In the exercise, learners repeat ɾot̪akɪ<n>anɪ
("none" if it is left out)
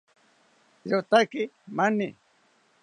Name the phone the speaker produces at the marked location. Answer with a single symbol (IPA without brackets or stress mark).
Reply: m